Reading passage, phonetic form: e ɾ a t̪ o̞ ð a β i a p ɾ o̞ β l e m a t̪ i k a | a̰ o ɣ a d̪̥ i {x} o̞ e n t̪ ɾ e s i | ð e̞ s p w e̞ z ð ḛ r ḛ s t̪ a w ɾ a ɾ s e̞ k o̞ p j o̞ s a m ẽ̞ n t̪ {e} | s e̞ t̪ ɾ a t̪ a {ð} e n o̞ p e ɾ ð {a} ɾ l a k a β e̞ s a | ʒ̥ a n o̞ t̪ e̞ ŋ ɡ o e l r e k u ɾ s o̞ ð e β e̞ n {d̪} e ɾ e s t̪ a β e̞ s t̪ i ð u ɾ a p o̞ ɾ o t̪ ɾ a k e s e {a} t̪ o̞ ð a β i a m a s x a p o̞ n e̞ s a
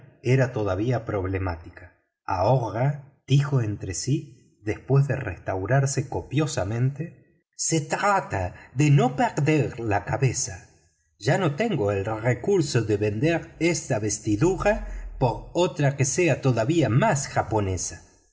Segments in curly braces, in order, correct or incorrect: correct, correct, correct, incorrect: e, correct, correct

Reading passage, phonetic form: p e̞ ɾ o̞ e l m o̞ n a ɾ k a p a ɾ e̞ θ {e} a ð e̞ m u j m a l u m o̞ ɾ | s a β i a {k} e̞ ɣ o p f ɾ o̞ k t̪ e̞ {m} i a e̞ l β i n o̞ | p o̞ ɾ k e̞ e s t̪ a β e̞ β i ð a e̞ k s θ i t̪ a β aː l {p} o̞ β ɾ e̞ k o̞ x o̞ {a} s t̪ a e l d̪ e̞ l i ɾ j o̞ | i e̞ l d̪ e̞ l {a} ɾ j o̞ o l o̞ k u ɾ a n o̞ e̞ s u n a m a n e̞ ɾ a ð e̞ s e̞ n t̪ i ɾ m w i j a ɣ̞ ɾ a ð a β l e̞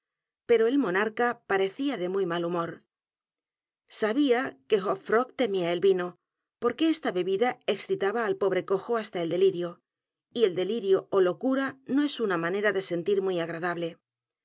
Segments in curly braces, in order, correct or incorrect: incorrect: i, correct, correct, correct, correct, incorrect: i

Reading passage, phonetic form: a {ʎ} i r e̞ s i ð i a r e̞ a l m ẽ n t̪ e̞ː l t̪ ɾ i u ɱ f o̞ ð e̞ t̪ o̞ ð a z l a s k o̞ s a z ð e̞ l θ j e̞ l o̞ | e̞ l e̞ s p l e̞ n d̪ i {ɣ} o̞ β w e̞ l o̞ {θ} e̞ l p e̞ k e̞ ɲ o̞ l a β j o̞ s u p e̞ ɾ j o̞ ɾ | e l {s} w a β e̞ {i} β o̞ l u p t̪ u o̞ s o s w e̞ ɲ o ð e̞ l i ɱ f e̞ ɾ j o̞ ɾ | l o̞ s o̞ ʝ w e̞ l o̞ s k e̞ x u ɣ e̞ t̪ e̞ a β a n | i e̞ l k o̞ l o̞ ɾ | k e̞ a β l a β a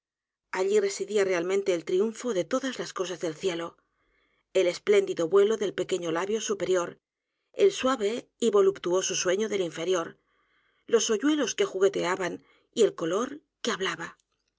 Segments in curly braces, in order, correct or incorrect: correct, incorrect: ð, incorrect: ð, correct, correct

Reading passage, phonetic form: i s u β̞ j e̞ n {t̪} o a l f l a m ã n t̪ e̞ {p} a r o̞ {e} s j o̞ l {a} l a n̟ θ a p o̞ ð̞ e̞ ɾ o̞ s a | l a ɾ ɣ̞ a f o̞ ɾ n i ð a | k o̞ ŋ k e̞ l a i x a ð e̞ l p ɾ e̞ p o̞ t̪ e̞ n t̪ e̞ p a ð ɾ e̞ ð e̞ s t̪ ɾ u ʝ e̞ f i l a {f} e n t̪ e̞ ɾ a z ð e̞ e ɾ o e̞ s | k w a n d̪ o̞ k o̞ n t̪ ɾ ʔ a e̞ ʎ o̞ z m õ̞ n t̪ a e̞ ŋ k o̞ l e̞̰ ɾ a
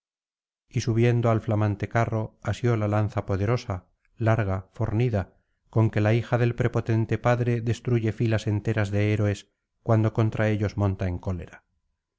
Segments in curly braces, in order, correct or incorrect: incorrect: d̪, incorrect: k, incorrect: a, correct, incorrect: s

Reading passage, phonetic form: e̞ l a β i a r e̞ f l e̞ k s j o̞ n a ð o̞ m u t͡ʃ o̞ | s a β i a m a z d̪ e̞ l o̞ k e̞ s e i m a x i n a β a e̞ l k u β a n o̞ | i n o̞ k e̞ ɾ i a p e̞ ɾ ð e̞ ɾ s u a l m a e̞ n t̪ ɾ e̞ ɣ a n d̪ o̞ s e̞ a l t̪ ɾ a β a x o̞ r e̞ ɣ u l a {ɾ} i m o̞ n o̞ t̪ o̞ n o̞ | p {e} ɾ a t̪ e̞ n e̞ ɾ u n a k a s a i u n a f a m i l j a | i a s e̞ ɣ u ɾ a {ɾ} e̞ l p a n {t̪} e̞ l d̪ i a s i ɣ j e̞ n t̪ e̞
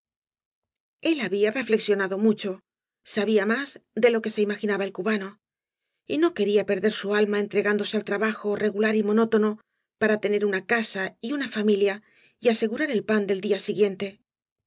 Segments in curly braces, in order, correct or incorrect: correct, incorrect: a, correct, incorrect: d̪

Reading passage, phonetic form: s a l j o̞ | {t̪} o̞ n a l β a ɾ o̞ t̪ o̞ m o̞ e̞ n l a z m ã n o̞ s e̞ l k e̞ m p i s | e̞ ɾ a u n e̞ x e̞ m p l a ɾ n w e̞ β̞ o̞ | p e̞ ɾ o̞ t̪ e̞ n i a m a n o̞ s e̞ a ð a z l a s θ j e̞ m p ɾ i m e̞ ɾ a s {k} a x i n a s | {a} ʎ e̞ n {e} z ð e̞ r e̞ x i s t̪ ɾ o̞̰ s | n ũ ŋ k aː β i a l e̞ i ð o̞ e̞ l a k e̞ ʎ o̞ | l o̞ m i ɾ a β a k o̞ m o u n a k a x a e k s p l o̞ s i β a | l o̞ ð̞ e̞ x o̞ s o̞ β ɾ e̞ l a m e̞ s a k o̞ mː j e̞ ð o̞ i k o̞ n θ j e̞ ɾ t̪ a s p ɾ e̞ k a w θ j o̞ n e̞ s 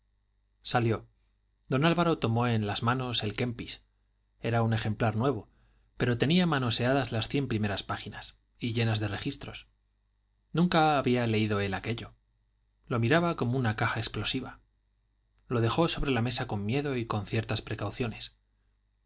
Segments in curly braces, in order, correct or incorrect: incorrect: d̪, incorrect: p, incorrect: i, incorrect: a

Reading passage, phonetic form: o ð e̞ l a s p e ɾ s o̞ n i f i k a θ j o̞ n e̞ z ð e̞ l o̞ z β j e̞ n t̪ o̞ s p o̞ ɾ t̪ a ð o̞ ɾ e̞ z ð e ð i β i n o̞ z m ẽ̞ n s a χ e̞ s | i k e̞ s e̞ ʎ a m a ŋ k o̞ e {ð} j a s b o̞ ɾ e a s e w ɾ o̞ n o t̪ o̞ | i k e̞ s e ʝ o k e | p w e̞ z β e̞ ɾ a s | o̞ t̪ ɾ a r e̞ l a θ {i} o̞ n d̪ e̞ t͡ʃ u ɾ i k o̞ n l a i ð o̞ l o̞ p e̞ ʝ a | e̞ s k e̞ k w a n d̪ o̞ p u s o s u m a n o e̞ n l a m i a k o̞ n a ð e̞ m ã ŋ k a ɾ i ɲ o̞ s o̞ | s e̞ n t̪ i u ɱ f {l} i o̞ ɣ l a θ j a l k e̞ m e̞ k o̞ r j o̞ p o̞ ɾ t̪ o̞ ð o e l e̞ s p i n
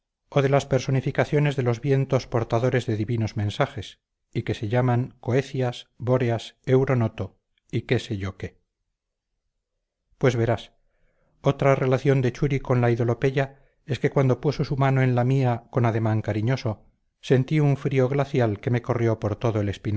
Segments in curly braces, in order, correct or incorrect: incorrect: θ, incorrect: j, incorrect: ɾ

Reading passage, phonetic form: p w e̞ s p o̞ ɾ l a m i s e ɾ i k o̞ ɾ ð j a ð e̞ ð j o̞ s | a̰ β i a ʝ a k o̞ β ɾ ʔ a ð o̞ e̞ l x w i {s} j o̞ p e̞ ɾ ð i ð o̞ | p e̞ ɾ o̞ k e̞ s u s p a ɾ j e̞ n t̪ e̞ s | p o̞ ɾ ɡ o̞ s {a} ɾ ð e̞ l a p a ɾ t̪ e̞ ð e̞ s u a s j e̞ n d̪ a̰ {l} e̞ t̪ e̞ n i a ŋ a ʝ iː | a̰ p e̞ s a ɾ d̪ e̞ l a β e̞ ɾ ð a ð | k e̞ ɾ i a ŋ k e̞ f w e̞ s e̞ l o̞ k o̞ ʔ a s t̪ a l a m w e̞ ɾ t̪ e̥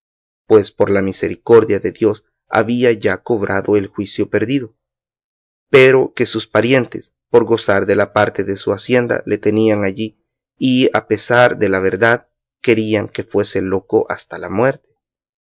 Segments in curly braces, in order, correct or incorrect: correct, correct, correct

